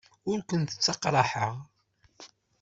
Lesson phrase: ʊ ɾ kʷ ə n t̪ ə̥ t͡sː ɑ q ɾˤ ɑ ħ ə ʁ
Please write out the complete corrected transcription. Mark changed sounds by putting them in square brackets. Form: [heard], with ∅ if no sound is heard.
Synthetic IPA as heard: ʊ ɾ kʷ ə n t̪ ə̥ t͡sː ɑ q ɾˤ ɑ ħ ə ʁ

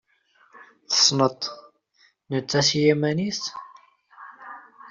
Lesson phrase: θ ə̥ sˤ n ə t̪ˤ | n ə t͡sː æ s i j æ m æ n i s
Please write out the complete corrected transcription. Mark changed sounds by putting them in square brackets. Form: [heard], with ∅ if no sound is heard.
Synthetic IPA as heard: θ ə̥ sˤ n ə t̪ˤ | n ə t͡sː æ s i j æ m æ n i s

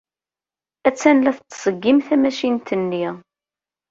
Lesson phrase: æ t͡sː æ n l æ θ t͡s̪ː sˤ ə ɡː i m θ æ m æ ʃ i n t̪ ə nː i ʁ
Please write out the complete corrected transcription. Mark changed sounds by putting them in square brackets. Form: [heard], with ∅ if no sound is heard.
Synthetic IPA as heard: æ t͡sː æ n l æ θ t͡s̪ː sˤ ə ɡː i m θ æ m æ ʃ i n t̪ ə nː i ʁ

